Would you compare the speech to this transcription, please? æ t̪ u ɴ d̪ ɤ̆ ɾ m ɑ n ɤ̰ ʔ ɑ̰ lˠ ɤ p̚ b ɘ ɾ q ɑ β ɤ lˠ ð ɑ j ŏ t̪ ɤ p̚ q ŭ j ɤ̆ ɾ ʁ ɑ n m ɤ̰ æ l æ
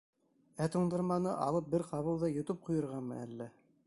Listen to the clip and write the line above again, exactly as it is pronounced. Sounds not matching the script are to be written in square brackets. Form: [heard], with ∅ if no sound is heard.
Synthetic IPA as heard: æ t̪ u ɴ d̪ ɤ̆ ɾ m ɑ n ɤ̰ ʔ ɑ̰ lˠ ɤ p̚ b ɘ ɾ q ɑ β ɤ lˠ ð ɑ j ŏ t̪ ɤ p̚ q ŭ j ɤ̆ ɾ ʁ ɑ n m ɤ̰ æ [lː] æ